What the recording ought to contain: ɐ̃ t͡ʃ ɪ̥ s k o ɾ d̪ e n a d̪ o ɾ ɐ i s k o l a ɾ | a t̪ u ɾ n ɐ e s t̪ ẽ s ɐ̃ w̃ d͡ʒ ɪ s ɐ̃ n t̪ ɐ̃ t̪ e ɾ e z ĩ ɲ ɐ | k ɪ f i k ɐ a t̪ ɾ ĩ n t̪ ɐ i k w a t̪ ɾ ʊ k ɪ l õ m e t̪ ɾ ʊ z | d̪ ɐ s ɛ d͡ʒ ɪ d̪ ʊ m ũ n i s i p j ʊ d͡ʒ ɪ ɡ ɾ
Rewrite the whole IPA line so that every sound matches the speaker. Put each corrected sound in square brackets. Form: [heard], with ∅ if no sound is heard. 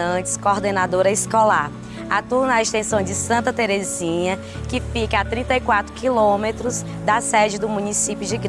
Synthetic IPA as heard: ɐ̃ t͡ʃ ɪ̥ s k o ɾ d̪ e n a d̪ o ɾ ɐ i s k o l a ɾ | a t̪ u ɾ n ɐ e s t̪ ẽ s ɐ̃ w̃ d͡ʒ ɪ s ɐ̃ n t̪ [ɐ] t̪ e ɾ e z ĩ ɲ ɐ | k ɪ f i k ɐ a t̪ ɾ ĩ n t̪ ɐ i k w a t̪ ɾ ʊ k [i] l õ m e t̪ ɾ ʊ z | d̪ ɐ s ɛ d͡ʒ ɪ d̪ ʊ m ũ n i s i p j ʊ d͡ʒ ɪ ɡ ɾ